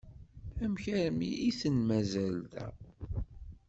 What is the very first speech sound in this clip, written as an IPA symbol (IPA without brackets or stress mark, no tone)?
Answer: æ